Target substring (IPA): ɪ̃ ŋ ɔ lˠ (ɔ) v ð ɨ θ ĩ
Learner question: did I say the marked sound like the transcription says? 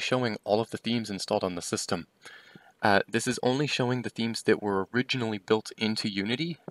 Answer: no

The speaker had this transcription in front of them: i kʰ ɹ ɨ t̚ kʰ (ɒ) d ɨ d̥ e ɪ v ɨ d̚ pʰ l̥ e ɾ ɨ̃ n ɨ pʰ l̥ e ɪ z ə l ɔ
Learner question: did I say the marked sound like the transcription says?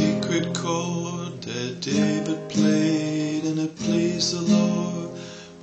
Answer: no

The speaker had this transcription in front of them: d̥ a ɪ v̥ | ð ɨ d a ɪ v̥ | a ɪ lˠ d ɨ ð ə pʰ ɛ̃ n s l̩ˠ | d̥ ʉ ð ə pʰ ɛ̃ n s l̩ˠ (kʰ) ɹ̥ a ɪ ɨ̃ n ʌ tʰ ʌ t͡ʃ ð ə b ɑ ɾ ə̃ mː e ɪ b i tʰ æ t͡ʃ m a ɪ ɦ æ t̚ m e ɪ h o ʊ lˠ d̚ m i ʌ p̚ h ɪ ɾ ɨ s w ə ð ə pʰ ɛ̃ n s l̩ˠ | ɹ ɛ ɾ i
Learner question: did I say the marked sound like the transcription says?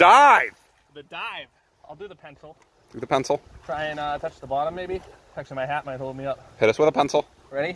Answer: no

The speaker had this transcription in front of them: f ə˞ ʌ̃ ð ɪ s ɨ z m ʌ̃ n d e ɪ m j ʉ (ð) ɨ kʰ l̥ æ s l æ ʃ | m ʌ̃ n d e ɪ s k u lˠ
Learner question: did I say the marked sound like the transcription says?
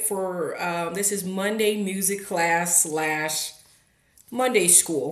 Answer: no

